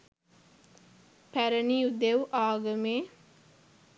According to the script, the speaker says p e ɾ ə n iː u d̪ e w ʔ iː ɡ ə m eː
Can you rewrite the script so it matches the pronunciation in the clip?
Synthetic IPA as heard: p æ ɾ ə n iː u d̪ e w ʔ aː ɡ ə m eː